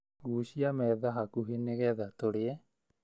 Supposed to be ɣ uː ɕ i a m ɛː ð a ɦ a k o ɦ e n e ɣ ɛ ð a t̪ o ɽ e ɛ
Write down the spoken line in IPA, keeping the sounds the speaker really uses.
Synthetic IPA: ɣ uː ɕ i a m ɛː ð a ɦ a k u ɦ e n e ɣ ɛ ð a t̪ o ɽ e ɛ

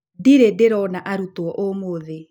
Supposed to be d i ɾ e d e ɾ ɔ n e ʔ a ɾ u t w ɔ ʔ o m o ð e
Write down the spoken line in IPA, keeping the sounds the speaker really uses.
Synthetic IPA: d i ɾ e d e ɾ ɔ n a ʔ a ɾ u t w ɔ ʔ o m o ð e

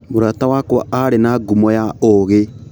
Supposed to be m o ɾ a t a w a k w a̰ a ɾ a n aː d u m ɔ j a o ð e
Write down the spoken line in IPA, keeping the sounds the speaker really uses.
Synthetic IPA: m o ɾ a t a w a k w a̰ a ɾ e n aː ɡ u m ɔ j a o ɣ e

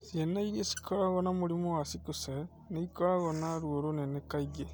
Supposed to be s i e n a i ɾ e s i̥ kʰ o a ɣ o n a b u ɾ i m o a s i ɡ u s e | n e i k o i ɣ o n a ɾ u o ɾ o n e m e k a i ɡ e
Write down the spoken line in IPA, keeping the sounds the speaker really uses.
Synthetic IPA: s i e n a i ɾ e s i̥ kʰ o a ɣ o n a m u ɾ i m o a s i k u s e | n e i k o a ɣ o n a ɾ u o ɾ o n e n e k a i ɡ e

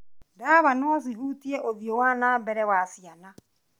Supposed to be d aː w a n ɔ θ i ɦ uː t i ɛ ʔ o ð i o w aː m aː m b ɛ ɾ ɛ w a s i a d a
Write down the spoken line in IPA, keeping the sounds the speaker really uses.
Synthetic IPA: d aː β a n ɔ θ i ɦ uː t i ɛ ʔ o ð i o w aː n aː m b ɛ ɾ ɛ w a s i a n a

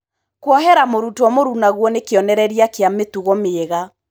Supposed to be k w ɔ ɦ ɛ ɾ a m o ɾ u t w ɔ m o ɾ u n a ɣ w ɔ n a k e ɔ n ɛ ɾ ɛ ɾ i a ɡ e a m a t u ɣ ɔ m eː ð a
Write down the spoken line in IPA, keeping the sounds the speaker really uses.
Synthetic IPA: k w ɔ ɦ ɛ ɾ a m o ɾ u t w ɔ m o ɾ u n a ɣ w ɔ n e k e ɔ n ɛ ɾ ɛ ɾ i a k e a m e t u ɣ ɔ m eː ɣ a

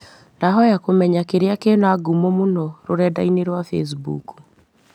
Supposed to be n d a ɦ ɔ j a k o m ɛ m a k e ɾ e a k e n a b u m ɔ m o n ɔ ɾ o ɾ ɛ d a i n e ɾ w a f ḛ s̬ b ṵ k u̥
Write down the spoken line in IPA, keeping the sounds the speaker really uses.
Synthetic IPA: n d a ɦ ɔ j a k o m ɛ ɲ a k e ɾ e a k e n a ɡ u m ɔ m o n ɔ ɾ o ɾ ɛ d a i n e ɾ w a f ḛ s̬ b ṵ k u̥

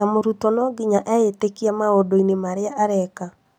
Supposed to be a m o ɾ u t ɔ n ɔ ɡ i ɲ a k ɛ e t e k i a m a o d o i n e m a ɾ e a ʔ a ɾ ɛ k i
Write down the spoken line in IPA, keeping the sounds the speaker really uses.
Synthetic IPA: a m o ɾ u t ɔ n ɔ ɡ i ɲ a ʔ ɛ e t e k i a m a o d o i n e m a ɾ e a ʔ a ɾ ɛ k a

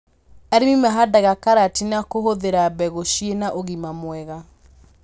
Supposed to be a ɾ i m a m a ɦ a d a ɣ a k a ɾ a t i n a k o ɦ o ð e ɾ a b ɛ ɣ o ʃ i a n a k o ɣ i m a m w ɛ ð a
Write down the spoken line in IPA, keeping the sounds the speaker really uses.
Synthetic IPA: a ɾ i m i m a ɦ a d a ɣ a k a ɾ a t i n a k o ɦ o ð e ɾ a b ɛ ɣ o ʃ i e n a ʔ o ɣ i m a m w ɛ ɣ a

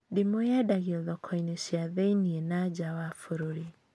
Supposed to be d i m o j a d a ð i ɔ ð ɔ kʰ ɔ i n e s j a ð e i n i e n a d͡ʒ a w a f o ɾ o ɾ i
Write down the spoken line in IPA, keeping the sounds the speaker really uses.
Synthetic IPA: d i m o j a d a ɣ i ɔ ð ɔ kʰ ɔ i n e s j a ð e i n i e n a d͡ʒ a w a f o ɾ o ɾ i

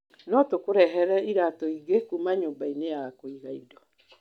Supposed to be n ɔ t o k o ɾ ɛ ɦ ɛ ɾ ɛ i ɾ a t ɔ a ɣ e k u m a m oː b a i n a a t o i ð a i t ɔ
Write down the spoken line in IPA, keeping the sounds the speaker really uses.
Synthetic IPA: n ɔ t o k o ɾ ɛ ɦ ɛ ɾ ɛ i ɾ a t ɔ i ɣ e k u m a ɲ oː b a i n e a k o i ɣ a i d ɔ

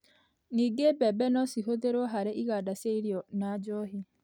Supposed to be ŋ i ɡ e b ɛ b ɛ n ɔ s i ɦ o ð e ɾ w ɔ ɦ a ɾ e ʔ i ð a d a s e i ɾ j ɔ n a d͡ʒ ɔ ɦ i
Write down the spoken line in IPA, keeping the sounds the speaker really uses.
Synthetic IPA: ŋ i ɡ e b ɛ b ɛ n ɔ s i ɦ o ð e ɾ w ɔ ɦ a ɾ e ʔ i ɣ a d a s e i ɾ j ɔ n a d͡ʒ ɔ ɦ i

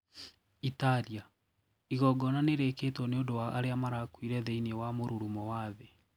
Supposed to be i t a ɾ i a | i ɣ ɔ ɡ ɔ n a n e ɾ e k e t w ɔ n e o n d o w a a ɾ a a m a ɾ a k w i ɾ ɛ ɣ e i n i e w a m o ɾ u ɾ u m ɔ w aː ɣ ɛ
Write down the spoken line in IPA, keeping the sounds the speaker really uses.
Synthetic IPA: i t a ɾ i a | i ɣ ɔ ɡ ɔ n a n e ɾ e k e t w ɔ n e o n d o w a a ɾ e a m a ɾ a k w i ɾ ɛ ð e i n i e w a m o ɾ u ɾ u m ɔ w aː ð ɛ

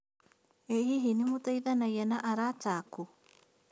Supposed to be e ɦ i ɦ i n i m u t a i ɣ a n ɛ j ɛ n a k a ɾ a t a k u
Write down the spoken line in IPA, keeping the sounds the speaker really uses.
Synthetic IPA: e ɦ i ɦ i n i m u t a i ð a n a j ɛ n a ʔ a ɾ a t a k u

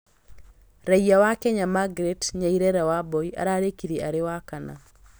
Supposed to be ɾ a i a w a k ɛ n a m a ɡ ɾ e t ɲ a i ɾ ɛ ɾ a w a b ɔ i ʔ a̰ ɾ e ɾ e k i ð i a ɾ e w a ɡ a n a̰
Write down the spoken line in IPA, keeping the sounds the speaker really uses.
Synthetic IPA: ɾ a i a w a k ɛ ɲ a m a ɡ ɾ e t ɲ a i ɾ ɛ ɾ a w a b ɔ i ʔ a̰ ɾ a ɾ e k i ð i a ɾ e w a k a n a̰

